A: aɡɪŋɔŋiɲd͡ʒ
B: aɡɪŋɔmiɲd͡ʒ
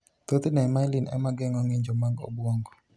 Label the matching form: A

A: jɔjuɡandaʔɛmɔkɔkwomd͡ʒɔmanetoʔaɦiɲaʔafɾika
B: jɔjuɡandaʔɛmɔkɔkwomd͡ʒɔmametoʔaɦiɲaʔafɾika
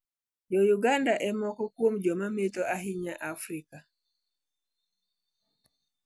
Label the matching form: B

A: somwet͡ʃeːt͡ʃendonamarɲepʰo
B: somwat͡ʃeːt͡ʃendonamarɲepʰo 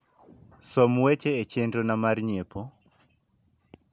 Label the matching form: A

